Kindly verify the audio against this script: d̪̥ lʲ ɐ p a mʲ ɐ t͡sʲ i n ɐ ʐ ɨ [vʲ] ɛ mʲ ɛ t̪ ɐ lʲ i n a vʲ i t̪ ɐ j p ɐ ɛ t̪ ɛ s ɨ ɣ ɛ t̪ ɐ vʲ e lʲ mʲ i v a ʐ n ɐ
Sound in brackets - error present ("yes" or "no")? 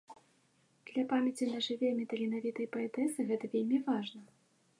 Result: no